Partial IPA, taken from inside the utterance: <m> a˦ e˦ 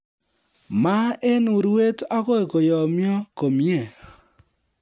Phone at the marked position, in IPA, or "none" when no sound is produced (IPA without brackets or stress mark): m